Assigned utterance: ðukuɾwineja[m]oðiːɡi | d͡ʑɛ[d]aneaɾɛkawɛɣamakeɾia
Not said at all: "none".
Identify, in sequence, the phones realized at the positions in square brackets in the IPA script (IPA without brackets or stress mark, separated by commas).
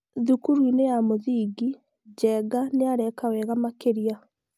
m, ɡ